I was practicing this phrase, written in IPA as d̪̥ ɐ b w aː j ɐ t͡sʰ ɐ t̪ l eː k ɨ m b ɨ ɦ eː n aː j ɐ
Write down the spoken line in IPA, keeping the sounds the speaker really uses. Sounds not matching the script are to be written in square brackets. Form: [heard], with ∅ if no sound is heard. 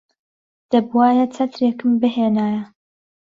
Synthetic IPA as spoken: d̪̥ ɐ b w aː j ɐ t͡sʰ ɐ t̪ [ɾ] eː k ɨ m b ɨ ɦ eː n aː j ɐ